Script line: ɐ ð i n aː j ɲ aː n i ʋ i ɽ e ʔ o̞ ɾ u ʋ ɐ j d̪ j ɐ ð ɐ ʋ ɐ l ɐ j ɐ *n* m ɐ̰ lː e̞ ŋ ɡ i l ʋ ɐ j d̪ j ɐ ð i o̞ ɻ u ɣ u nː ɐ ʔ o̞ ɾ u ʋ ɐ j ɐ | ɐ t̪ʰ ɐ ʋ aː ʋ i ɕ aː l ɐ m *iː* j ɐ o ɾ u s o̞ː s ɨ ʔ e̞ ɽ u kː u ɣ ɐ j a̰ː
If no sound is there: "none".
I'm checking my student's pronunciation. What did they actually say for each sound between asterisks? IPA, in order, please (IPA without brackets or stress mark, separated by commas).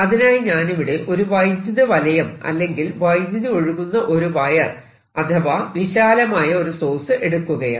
none, aː